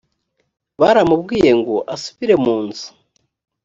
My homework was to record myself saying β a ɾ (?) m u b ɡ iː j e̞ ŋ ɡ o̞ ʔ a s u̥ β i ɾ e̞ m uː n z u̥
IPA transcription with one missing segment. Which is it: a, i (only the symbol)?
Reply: a